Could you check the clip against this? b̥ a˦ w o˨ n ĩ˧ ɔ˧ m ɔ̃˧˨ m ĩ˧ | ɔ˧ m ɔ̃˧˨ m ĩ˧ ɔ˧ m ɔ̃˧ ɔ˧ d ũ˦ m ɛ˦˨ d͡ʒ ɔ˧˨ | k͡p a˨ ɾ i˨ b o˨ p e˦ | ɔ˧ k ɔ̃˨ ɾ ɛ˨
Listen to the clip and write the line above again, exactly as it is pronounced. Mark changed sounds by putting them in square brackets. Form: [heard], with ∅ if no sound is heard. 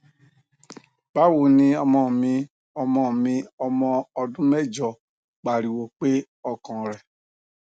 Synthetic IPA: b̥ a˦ w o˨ n ĩ˧ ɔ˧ m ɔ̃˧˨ m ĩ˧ | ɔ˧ m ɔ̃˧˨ m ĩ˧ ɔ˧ m ɔ̃˧ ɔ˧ d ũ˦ m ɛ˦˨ d͡ʒ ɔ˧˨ | k͡p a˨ ɾ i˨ [w] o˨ [k͡p] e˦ | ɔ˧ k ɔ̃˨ ɾ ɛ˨